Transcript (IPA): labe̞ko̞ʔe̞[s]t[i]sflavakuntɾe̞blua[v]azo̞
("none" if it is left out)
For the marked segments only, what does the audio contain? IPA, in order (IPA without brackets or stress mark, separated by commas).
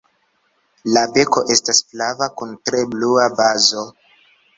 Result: s, a, b